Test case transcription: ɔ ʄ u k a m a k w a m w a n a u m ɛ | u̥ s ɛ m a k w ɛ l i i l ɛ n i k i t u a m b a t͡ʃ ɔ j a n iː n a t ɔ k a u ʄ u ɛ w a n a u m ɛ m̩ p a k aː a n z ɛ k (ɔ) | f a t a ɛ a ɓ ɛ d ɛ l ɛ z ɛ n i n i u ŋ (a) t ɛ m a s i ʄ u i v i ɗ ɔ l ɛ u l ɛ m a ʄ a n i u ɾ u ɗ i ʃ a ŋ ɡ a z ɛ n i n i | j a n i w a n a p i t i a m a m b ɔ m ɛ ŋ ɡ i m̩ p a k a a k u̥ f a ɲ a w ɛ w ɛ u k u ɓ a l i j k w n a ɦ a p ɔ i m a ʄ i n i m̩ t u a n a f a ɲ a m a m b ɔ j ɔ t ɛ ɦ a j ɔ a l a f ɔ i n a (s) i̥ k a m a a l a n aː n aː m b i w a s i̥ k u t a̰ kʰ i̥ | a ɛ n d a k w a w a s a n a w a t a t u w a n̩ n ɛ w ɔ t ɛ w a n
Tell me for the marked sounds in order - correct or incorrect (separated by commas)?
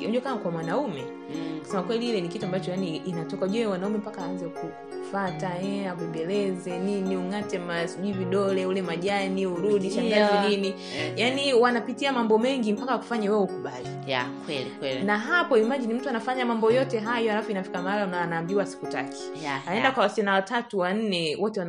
incorrect, correct, incorrect